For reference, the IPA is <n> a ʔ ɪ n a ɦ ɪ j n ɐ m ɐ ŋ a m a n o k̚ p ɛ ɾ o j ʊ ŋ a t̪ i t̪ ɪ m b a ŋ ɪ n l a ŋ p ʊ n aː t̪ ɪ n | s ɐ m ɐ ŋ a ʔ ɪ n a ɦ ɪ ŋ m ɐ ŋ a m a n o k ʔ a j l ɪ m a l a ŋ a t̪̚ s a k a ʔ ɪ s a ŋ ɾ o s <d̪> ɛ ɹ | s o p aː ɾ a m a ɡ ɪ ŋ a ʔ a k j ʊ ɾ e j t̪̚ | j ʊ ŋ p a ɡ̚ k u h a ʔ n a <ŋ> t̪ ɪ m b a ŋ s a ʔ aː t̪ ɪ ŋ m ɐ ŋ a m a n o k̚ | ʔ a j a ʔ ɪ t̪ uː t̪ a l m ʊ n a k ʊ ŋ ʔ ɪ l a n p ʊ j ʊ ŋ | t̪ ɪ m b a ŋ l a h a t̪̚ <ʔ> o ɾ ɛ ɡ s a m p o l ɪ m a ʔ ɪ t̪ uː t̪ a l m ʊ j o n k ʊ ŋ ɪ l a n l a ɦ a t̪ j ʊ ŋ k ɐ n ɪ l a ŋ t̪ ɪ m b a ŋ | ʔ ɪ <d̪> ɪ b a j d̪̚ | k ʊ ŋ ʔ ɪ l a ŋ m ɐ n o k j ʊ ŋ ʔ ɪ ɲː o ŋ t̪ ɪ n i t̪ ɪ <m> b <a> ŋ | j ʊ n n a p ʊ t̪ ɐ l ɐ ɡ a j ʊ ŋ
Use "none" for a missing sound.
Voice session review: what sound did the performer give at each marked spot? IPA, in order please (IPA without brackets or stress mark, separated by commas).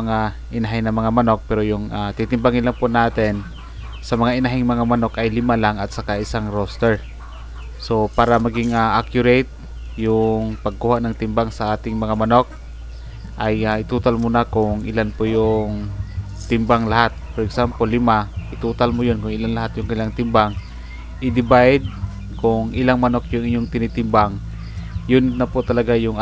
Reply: ŋ, t̪, ŋ, p, d̪, m, a